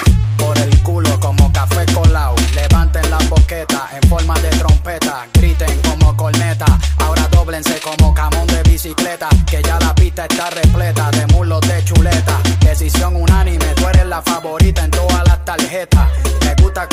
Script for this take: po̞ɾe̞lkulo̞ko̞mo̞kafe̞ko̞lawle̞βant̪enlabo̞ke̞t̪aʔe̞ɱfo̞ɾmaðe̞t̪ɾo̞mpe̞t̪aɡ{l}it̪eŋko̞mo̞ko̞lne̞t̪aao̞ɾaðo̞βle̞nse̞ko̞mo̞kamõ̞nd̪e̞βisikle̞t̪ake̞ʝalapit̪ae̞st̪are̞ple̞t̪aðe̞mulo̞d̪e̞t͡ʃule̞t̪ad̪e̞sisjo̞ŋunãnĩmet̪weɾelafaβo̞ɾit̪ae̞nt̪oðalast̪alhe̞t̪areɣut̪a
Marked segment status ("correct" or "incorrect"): incorrect